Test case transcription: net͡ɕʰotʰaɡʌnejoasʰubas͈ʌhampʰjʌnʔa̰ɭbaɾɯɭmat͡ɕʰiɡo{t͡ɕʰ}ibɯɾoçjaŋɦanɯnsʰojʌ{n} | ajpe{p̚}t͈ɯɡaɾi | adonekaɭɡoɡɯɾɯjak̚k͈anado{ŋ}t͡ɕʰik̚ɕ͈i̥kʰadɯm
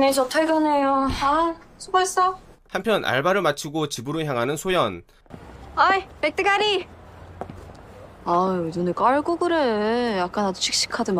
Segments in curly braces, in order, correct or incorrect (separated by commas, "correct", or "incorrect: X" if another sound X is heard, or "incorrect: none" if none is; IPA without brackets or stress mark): incorrect: t͡ɕ, correct, incorrect: k̚, incorrect: none